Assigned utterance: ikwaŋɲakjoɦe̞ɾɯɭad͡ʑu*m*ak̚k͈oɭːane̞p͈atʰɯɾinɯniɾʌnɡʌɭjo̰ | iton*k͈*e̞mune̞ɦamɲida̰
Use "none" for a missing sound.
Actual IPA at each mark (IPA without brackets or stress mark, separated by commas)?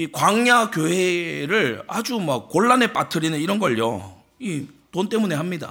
m, t͈